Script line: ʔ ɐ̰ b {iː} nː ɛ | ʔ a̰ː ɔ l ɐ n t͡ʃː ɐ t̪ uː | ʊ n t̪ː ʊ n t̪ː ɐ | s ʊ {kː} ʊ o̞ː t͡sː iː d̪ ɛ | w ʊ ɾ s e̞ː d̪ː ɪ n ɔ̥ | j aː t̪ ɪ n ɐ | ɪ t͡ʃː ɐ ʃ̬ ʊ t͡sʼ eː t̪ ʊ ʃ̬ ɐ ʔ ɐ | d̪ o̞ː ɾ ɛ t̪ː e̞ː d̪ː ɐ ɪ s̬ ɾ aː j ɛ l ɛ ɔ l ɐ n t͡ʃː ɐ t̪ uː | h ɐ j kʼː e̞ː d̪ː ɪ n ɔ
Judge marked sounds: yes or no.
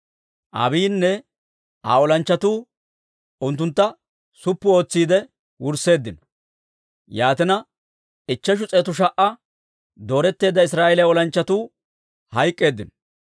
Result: yes, no

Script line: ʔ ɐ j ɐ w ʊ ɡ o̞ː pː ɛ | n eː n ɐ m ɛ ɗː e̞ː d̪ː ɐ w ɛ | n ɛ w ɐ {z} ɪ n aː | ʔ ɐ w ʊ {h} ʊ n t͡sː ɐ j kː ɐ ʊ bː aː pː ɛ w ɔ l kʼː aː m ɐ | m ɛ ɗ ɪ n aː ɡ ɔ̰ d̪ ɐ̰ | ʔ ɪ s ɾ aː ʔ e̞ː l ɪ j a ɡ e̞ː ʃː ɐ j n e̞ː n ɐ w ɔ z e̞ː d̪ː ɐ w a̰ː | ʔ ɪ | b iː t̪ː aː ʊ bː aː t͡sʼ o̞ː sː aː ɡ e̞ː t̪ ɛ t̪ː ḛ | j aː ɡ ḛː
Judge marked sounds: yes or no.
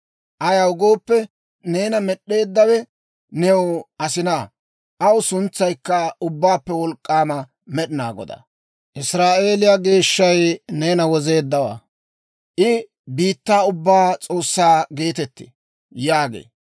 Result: no, no

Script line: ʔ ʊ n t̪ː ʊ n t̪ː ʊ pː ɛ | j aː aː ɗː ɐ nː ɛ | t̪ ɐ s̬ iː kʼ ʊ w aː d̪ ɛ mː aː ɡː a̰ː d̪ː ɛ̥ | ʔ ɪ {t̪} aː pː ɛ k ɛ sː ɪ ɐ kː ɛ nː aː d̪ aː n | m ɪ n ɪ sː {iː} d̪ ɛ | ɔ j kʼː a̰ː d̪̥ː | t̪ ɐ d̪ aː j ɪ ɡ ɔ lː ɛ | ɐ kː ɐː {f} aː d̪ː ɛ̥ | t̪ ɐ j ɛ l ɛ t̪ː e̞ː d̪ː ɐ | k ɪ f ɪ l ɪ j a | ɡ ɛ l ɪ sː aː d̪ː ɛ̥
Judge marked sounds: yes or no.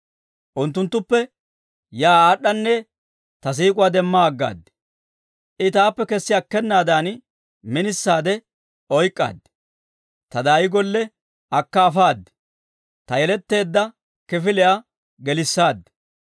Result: yes, no, yes

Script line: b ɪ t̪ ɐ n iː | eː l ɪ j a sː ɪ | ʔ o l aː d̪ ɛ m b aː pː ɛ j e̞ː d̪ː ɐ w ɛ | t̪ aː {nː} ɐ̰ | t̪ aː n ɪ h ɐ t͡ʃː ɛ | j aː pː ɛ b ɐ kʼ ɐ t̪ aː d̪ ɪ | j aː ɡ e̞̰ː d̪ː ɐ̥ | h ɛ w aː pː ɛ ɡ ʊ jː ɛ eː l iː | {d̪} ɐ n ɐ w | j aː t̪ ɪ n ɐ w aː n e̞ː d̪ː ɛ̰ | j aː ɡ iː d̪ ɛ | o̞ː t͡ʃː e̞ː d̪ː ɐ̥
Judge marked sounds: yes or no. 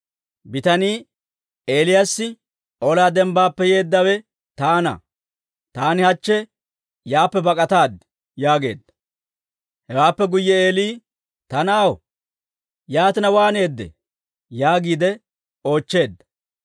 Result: no, no

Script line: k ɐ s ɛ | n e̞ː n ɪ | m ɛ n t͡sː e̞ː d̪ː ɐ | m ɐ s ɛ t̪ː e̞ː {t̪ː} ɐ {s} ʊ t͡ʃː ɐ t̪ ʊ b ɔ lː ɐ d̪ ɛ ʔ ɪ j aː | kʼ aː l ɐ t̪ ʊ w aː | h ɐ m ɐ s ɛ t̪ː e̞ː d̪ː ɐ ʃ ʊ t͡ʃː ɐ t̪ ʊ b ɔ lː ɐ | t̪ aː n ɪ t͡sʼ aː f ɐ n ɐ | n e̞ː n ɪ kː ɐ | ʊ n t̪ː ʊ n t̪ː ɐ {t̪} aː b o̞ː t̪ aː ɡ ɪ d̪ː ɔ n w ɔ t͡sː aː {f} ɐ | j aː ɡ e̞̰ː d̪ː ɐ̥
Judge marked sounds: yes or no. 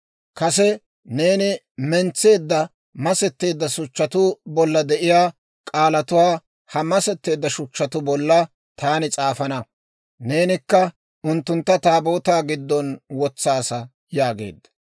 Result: no, yes, yes, no

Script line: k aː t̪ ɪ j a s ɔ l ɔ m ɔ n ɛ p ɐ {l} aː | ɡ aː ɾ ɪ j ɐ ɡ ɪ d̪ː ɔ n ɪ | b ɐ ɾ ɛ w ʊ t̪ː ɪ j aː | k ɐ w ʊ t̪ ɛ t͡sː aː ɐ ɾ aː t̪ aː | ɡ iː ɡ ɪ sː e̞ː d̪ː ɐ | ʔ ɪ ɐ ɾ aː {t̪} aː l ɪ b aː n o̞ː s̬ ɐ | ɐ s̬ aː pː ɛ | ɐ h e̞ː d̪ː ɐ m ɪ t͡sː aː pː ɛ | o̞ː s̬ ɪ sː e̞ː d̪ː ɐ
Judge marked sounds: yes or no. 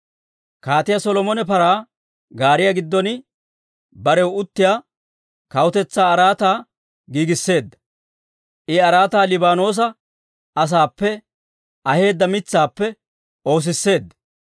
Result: no, yes

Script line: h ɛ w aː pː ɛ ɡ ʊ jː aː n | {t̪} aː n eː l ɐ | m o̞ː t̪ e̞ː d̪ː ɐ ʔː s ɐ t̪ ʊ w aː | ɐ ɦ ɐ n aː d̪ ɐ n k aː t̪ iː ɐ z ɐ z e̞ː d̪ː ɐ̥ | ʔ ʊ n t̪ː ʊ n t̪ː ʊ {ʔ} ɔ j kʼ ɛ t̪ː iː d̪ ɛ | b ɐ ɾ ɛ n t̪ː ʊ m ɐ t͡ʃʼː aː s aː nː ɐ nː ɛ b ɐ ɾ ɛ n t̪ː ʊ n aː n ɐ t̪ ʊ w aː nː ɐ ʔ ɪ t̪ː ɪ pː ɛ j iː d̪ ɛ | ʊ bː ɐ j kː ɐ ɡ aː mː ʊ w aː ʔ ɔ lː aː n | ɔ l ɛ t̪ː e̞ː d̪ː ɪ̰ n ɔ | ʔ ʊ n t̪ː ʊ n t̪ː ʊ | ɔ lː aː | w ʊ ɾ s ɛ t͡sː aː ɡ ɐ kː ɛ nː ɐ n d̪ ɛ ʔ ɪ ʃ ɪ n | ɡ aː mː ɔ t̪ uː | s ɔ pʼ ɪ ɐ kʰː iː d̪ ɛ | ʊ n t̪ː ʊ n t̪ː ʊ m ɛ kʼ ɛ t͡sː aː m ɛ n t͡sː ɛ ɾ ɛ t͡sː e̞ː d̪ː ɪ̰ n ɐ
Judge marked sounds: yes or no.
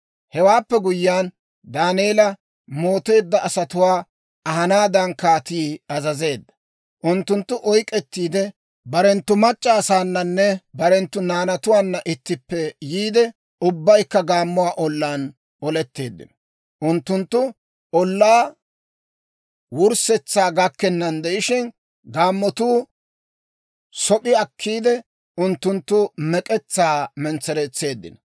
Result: no, yes

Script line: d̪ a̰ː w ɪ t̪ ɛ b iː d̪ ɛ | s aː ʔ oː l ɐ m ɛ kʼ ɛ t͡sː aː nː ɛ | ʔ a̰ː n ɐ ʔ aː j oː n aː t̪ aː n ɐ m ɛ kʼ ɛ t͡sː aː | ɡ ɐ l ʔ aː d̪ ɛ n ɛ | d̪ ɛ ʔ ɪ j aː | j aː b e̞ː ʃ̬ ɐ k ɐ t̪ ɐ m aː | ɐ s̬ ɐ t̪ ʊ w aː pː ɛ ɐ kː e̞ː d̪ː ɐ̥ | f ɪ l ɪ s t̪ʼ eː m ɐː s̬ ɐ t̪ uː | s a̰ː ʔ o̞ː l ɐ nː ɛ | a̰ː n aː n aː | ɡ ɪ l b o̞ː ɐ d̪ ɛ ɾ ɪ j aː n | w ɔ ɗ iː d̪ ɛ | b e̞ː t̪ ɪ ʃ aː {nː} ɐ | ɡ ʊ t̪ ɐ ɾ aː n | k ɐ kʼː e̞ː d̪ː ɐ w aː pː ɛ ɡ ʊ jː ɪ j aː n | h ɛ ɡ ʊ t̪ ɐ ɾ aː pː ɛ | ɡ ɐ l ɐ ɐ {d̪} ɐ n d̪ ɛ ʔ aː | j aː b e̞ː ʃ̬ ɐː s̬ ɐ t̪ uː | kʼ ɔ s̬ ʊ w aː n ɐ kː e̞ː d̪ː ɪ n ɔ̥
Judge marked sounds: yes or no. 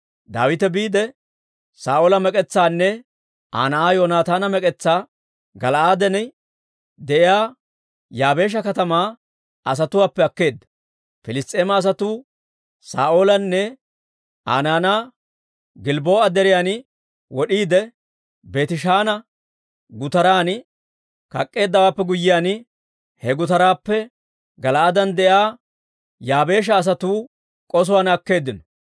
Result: no, yes

